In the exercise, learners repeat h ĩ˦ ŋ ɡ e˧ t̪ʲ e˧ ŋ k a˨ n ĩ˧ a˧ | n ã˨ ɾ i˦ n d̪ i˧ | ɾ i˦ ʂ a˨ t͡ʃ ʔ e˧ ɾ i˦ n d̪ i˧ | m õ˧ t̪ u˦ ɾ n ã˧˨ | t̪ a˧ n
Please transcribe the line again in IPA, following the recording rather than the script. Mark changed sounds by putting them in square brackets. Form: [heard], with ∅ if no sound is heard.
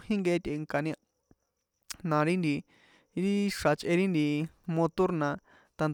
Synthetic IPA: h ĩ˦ ŋ ɡ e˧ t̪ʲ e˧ ŋ k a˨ n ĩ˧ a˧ | n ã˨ ɾ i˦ n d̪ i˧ | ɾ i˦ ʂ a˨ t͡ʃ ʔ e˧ ɾ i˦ n d̪ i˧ | m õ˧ t̪ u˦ ɾ n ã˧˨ | t̪ a˧ n